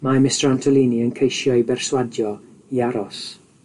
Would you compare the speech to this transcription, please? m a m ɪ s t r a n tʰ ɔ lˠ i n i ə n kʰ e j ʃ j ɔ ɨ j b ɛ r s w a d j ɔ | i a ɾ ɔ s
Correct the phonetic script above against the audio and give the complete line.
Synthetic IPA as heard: m a m ɪ s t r a n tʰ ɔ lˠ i n i ə n kʰ e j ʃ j ɔ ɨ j b ɛ r s w a d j ɔ | i a ɾ ɔ s